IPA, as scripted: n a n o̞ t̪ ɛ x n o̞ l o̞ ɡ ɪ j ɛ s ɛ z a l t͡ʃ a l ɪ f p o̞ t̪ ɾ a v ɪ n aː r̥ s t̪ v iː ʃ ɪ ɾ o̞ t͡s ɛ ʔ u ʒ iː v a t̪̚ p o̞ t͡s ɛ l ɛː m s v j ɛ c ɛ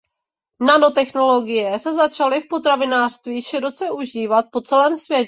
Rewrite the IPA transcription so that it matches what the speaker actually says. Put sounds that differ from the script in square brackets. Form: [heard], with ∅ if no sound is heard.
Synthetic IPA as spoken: n a n o̞ t̪ ɛ x n o̞ l o̞ ɡ ɪ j ɛ s ɛ z a [∅] t͡ʃ a l ɪ f p o̞ t̪ ɾ a v ɪ n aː r̥ s t̪ v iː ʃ ɪ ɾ o̞ t͡s ɛ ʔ u ʒ iː v a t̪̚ p o̞ t͡s ɛ l ɛː m s v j ɛ c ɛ